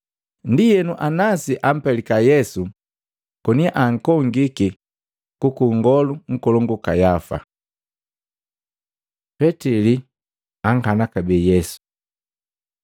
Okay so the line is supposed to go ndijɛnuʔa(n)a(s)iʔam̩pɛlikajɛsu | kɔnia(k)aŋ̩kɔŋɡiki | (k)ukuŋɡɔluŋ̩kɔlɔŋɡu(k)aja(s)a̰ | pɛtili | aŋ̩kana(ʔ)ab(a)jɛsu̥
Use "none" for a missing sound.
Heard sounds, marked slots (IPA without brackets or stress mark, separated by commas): n, s, ʔ, k, k, f, k, ɛ